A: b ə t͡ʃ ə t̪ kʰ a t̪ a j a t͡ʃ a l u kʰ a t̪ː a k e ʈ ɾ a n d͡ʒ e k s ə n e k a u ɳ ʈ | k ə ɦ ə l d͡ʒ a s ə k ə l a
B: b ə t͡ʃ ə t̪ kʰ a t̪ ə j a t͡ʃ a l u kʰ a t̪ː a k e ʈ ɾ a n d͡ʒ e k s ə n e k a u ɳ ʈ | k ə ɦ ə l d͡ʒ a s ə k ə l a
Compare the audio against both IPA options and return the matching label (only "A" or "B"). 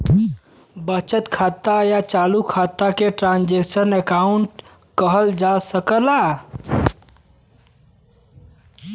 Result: A